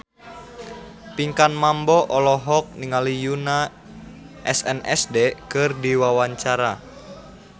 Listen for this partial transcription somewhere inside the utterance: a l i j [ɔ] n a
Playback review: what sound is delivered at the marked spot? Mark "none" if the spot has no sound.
u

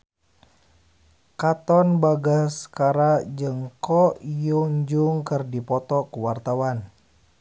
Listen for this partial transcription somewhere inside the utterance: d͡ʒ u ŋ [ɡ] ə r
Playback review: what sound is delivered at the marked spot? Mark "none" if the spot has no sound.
k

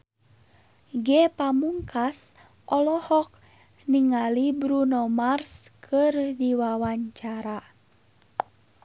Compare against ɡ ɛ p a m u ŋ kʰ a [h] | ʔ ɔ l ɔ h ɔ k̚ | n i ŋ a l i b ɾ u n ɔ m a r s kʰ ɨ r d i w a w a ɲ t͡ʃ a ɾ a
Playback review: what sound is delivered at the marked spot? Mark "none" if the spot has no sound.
s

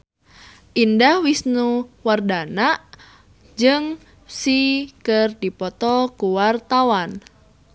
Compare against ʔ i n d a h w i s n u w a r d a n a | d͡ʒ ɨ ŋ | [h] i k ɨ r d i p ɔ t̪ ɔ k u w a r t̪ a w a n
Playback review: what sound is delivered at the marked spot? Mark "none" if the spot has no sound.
s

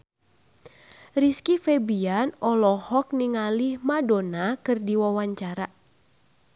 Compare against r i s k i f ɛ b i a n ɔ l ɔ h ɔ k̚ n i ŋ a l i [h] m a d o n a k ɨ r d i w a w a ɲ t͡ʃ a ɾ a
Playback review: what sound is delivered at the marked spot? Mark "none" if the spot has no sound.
h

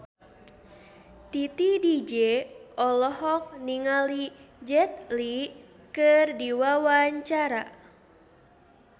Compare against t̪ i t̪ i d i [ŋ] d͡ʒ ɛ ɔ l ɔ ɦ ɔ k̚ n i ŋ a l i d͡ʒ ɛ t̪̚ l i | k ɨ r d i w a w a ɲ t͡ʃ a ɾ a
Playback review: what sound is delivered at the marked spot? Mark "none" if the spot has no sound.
none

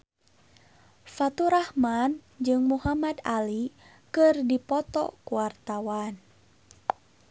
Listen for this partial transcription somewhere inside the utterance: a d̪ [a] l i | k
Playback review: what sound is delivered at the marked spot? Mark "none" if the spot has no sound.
a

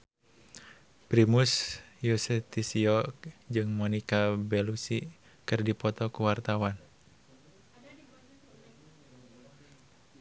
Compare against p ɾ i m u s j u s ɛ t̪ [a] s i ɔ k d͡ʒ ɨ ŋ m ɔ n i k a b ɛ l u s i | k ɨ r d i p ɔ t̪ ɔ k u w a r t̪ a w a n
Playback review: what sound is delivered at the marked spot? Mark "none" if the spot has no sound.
i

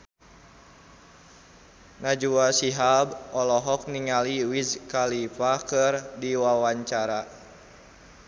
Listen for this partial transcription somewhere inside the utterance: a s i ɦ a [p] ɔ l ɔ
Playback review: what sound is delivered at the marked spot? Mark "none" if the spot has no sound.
b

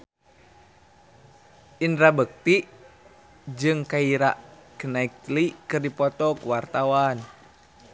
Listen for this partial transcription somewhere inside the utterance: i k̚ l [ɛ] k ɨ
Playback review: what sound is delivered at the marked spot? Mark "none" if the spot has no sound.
i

